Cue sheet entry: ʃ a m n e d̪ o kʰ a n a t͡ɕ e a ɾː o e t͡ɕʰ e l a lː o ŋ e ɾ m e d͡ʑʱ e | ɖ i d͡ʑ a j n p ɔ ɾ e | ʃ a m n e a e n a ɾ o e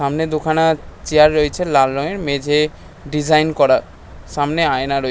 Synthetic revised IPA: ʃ a m n e d̪ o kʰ a n a t͡ɕ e a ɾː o e t͡ɕʰ e l a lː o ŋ e ɾ m e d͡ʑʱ e | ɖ i d͡ʑ a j n k ɔ ɾ a | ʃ a m n e a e n a ɾ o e